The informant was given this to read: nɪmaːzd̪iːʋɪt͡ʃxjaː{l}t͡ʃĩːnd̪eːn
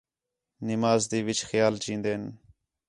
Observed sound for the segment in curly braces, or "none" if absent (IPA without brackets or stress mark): l